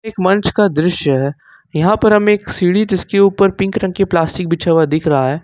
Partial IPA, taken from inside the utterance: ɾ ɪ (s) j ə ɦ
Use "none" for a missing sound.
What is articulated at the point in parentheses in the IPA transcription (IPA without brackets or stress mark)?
ʃ